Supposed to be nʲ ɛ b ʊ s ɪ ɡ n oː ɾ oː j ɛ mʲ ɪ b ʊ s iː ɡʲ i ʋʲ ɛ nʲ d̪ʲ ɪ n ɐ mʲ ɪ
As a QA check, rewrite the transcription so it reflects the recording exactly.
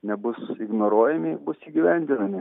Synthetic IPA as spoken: nʲ ɛ b ʊ s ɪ ɡ n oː ɾ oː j ɛ mʲ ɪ b ʊ s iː ɡʲ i ʋʲ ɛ nʲ d̪ʲ ɪ n ɐ mʲ ɪ